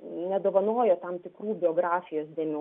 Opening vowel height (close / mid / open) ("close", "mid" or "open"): mid